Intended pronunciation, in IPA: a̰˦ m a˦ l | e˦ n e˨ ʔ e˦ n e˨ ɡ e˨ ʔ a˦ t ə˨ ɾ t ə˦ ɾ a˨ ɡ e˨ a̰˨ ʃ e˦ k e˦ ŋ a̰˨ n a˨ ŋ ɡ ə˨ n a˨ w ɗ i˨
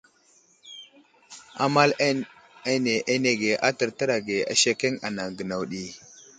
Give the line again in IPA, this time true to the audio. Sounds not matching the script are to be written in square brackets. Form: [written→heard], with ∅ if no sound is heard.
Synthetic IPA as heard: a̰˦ m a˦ l | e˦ n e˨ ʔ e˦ n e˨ ɡ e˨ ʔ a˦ t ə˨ ɾ t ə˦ ɾ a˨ ɡ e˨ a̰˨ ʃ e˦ k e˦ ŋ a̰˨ n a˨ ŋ ɡ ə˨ n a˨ w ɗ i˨